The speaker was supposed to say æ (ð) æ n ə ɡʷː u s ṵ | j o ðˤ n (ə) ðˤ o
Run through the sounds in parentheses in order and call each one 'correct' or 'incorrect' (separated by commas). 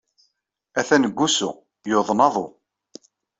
incorrect, incorrect